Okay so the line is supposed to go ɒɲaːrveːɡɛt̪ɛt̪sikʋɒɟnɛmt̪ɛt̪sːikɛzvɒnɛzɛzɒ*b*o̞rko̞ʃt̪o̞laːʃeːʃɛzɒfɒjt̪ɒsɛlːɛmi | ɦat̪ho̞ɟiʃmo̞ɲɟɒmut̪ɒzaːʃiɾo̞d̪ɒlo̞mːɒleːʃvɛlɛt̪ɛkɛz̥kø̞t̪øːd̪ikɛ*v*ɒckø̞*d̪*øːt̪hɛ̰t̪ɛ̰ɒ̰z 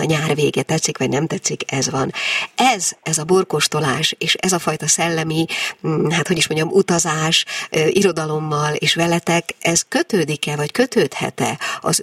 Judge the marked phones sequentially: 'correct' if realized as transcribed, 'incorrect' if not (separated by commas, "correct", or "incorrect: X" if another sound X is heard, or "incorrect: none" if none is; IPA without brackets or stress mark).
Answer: correct, correct, incorrect: t̪